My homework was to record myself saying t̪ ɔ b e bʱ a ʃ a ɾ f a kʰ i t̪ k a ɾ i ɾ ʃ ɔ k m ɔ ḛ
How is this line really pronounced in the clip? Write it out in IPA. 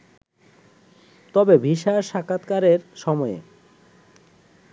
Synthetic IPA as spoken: t̪ ɔ b e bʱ i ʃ a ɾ ʃ a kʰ a t̪ k a ɾ e ɾ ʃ ɔ m ɔ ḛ